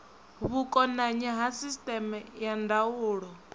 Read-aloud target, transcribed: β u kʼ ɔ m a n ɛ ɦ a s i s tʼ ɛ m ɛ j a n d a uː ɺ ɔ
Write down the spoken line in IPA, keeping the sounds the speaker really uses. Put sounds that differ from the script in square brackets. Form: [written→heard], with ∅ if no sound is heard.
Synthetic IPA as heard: β u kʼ ɔ [m→n] a [n→ɲ] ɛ ɦ a s i s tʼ ɛ m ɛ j a n d a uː ɺ ɔ